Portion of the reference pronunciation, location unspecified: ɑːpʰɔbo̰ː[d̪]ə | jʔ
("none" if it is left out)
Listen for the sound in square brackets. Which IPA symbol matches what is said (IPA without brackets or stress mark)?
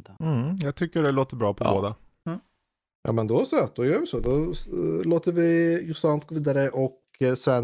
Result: d̪